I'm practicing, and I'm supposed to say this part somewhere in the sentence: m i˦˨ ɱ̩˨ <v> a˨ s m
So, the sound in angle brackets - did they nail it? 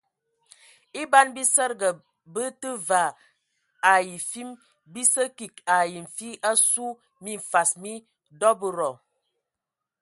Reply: no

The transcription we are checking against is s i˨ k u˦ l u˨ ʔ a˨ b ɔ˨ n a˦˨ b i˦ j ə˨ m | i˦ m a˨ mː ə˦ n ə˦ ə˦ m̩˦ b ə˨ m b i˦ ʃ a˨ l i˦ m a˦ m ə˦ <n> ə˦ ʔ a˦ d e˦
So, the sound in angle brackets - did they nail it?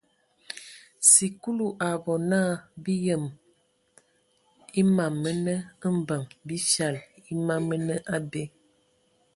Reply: yes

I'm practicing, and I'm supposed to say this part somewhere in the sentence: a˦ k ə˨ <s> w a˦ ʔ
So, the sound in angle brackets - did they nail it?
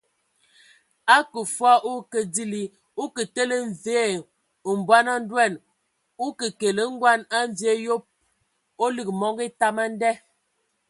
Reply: no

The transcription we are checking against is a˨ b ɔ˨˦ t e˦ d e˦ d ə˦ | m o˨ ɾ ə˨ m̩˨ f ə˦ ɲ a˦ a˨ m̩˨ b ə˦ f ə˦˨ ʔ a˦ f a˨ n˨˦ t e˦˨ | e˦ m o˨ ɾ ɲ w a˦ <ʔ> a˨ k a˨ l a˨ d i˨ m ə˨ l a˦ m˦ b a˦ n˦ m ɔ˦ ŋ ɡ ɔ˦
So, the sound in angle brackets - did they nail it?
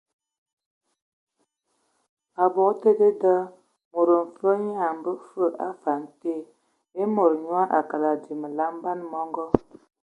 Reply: yes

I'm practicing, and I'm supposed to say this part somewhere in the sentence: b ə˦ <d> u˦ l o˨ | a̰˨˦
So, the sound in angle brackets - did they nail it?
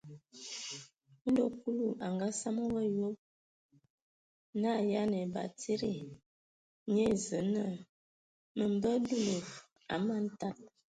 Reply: yes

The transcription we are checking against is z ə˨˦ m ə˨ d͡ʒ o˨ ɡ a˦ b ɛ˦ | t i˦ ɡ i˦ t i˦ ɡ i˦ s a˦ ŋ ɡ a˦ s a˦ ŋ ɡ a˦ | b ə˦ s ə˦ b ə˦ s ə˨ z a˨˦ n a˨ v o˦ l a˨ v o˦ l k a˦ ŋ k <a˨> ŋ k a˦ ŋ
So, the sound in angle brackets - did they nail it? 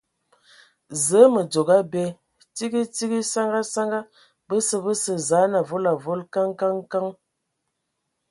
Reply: no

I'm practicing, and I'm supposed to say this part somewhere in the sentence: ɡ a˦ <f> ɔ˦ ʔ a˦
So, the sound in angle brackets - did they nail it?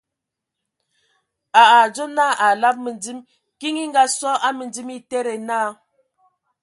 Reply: no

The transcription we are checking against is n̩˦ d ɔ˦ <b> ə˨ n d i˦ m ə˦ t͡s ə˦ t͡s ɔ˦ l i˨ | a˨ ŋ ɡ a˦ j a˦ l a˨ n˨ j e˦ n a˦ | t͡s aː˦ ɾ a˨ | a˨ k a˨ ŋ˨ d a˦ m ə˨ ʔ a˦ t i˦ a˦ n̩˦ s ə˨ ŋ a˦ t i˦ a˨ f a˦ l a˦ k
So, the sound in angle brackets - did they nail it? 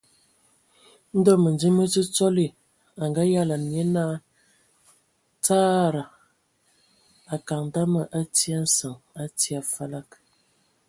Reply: no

